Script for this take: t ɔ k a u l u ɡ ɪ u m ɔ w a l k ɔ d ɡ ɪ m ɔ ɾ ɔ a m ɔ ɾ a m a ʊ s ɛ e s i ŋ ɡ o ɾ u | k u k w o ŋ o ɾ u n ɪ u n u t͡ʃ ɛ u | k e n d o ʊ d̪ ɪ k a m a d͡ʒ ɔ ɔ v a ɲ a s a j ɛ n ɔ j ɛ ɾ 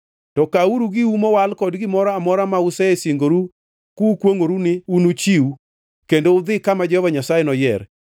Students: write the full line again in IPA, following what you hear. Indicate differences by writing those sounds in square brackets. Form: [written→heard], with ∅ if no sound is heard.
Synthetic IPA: t ɔ k a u [l→ɾ] u ɡ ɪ u m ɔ w a l k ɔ d ɡ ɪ m ɔ ɾ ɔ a m ɔ ɾ a m a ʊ s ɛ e s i ŋ ɡ o ɾ u | k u k w o ŋ o ɾ u n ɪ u n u t͡ʃ [ɛ→i] u | k e n d o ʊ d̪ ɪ k a m a d͡ʒ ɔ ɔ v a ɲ a s a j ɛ n ɔ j ɛ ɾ